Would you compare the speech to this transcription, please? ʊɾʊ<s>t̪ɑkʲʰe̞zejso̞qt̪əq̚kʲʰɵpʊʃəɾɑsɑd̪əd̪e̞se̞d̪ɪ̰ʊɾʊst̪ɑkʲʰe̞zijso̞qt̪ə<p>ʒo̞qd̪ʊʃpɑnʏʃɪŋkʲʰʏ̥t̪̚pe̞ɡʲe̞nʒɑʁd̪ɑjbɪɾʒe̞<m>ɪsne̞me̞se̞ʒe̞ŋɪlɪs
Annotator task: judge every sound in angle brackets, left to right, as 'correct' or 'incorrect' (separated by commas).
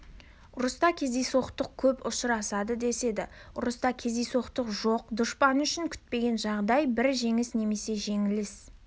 correct, incorrect, incorrect